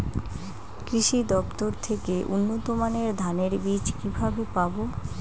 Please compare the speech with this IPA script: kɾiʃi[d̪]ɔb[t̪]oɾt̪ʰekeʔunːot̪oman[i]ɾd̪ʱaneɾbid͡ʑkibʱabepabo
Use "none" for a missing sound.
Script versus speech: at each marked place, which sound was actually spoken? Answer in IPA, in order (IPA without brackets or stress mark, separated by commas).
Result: d̪, t̪, e